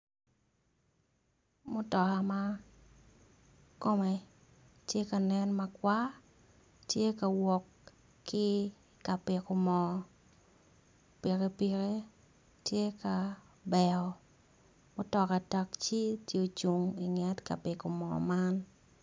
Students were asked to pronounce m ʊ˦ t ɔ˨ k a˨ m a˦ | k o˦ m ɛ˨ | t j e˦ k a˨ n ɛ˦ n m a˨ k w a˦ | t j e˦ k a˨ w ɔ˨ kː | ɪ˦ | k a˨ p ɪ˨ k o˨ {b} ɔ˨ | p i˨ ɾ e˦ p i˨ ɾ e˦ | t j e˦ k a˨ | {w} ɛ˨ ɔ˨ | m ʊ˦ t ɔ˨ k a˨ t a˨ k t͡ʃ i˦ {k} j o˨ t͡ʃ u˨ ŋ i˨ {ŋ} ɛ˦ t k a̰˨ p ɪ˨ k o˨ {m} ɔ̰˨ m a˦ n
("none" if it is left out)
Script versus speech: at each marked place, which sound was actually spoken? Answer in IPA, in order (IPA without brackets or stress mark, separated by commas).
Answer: m, b, t, ŋ, m